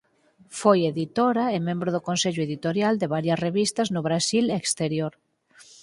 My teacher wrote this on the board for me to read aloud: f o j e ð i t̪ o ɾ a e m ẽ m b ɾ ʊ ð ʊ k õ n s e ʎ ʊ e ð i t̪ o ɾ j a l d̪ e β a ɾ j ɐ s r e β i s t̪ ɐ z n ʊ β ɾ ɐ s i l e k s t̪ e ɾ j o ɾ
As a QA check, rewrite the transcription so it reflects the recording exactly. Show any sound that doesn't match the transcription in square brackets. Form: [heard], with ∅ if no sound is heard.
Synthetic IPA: f o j e ð i t̪ o ɾ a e m ẽ m b ɾ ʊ ð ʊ k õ n s e ʎ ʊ e ð i t̪ o ɾ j a l d̪ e β a ɾ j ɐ s r e β i s t̪ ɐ z n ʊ β ɾ [a] s i l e k s t̪ e ɾ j o ɾ